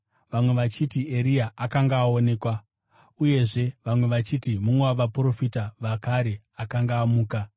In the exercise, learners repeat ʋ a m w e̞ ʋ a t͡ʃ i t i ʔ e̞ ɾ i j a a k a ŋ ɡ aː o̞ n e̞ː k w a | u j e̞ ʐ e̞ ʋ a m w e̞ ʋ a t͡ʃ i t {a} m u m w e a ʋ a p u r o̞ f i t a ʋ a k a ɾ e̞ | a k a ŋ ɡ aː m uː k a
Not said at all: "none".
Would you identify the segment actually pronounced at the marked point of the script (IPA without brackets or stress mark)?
i